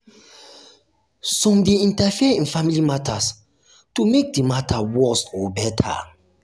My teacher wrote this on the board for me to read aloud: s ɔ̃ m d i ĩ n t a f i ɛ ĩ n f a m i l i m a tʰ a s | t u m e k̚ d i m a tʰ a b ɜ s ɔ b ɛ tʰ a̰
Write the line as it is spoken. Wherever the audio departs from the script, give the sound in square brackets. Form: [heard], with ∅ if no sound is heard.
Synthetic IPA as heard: s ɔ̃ m d [e] ĩ n t a f i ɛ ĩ n f a m i l i m a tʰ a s | t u m e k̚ d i m a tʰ a [w] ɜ s ɔ b ɛ tʰ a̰